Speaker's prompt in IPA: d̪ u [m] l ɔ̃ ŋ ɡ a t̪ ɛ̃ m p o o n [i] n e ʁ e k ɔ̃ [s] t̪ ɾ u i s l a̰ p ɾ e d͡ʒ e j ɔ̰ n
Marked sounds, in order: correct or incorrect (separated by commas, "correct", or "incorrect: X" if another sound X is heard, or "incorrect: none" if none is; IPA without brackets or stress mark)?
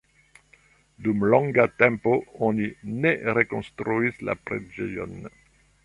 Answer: correct, correct, correct